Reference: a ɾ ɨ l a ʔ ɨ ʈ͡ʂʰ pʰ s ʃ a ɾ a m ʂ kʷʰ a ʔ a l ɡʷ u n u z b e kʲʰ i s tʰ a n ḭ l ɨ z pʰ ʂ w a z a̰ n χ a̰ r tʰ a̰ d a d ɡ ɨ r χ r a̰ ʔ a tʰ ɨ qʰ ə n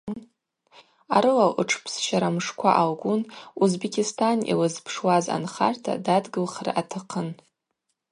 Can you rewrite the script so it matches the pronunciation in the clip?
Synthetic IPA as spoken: a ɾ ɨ l a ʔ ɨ ʈ͡ʂʰ pʰ s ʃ a ɾ a m ʂ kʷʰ a ʔ a l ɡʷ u n u z b e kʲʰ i s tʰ a n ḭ l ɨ z pʰ ʂ w a z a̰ n χ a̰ r tʰ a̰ d a d ɡ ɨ l χ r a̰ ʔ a tʰ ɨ qʰ ə n